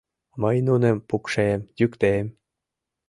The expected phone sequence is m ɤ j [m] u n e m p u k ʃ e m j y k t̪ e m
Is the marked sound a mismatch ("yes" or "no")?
yes